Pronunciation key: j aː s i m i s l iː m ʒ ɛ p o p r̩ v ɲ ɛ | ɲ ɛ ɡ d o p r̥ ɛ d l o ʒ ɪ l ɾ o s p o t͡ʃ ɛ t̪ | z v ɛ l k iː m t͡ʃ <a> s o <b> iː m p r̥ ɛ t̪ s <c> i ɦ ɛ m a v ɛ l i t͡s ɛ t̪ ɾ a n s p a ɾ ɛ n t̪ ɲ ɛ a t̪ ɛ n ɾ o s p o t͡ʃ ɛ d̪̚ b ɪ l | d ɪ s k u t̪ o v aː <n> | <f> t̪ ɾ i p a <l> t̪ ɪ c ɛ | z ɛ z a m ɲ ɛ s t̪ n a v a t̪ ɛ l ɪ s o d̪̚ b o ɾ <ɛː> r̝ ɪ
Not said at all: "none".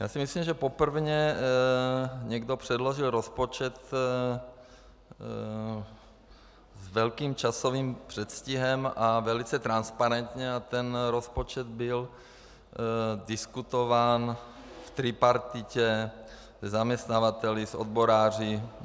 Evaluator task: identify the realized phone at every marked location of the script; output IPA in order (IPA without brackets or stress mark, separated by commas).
a, v, c, n, f, ɾ, aː